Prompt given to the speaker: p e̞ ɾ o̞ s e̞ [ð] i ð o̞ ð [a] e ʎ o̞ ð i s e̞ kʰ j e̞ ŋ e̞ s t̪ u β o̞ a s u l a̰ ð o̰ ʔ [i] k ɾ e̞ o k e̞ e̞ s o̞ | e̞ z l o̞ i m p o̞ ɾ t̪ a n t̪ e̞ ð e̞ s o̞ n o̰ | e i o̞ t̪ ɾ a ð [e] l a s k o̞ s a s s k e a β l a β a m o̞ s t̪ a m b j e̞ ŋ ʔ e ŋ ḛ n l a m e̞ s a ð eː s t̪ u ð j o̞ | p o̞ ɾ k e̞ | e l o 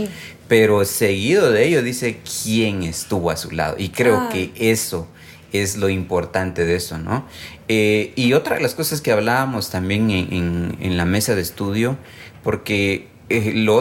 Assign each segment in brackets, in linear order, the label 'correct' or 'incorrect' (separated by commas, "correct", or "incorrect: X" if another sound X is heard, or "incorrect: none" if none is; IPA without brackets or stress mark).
incorrect: ɣ, incorrect: e, correct, correct